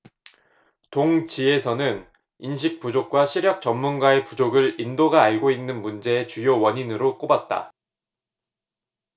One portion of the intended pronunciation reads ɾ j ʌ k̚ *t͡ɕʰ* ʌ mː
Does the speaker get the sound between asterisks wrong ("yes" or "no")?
yes